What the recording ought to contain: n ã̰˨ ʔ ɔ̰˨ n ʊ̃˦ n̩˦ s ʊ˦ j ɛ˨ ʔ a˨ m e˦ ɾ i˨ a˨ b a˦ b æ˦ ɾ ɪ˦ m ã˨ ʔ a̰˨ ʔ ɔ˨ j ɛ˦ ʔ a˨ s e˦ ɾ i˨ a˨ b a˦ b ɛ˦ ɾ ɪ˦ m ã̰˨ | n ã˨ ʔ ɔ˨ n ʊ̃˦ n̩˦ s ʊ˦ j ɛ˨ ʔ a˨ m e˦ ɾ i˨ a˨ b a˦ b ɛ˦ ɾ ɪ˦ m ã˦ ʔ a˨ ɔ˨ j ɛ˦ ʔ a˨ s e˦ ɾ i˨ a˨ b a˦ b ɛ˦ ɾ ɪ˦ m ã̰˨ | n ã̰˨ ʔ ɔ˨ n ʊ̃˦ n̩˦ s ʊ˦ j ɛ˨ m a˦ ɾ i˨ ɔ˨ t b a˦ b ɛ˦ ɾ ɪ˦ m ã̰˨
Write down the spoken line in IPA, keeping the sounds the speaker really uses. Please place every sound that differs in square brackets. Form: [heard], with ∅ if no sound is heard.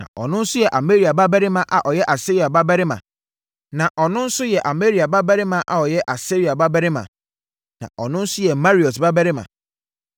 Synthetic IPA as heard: n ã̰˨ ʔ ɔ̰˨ n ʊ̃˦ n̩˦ s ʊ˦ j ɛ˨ ʔ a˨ m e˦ ɾ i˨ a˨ b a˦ b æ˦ ɾ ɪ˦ m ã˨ ʔ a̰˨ ʔ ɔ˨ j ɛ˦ ʔ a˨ s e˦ ɾ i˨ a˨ b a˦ b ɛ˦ ɾ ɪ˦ m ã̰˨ | n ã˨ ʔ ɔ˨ n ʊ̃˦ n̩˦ s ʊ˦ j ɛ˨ ʔ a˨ m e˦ ɾ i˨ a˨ b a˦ b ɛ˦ ɾ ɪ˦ m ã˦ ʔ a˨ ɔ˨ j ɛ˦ ʔ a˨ s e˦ ɾ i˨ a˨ b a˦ b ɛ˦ ɾ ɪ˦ m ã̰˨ | n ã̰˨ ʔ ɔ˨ n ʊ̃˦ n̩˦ s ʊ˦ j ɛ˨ m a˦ ɾ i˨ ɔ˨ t b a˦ b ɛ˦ ɾ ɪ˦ m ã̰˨